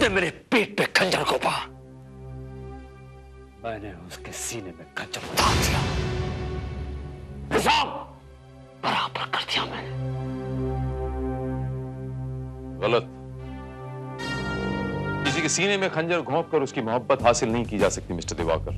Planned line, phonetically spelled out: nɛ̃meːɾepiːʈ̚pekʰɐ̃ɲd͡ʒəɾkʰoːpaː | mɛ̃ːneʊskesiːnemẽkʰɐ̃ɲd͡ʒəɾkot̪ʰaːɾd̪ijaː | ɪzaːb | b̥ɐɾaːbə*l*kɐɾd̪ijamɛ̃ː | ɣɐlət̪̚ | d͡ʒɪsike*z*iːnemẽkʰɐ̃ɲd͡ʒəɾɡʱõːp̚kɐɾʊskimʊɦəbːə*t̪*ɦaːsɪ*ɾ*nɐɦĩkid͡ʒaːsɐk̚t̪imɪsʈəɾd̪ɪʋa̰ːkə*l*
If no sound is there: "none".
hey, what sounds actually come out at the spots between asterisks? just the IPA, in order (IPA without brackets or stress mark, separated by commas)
ɾ, s, t̪, l, ɾ